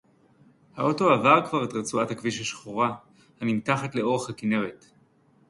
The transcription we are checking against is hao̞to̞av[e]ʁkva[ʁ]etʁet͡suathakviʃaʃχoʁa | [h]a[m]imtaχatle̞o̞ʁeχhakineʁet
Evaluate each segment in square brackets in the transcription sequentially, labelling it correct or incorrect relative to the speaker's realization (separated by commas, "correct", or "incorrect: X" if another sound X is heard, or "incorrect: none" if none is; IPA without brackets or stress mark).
incorrect: a, correct, correct, incorrect: n